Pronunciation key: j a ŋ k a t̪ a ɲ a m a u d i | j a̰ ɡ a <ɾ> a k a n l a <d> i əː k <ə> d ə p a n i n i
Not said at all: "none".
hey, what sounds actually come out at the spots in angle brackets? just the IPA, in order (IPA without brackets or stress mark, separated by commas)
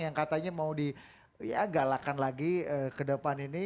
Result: l, ɡ, ə